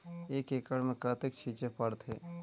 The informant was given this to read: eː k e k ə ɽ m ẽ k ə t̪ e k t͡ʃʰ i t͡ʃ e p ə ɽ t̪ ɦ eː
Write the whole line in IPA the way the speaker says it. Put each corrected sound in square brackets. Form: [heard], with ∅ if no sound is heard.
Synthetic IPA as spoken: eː k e k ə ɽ m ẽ k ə t̪ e k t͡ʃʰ i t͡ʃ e p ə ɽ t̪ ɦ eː